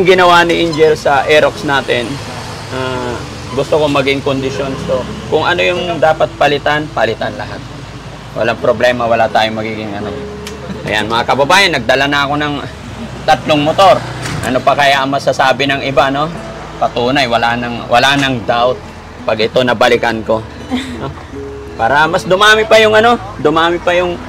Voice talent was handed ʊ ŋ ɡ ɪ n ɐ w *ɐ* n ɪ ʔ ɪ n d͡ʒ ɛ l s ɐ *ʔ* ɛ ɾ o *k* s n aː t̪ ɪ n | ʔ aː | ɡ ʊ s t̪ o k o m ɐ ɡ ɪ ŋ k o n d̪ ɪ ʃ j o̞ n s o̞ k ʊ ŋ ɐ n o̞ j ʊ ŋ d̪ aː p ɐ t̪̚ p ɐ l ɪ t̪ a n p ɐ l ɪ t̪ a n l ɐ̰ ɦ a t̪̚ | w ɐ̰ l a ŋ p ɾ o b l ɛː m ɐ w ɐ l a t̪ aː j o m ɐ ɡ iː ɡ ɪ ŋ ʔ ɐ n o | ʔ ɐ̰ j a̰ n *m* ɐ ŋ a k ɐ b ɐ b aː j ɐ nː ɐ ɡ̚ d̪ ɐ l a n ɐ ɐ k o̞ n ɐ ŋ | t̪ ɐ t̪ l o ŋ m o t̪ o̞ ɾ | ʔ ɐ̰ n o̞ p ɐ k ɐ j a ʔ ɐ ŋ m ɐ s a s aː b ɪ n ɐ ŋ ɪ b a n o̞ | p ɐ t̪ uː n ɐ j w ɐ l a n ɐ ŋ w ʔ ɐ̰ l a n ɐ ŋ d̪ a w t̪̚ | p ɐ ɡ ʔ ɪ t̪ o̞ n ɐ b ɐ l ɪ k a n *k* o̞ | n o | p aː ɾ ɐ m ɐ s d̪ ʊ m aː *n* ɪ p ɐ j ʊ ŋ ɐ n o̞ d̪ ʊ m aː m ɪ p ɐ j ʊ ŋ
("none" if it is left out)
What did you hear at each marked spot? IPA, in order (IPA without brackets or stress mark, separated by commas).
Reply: a, ʔ, k, m, k, m